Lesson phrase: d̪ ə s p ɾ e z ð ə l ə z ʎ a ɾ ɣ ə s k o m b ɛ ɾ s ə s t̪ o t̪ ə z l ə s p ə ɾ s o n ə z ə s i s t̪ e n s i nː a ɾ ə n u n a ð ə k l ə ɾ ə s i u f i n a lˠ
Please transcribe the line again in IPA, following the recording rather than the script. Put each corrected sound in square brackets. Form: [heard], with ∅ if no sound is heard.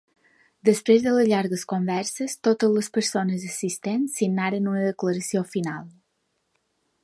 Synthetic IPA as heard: d̪ ə s p ɾ e z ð ə l ə z ʎ a ɾ ɣ ə s k o m b ɛ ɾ s ə s t̪ o t̪ ə z l ə s p ə ɾ s o n ə z ə s i s t̪ e n s i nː a ɾ ə n u n [ə] ð ə k l ə ɾ ə s i [o] f i n a lˠ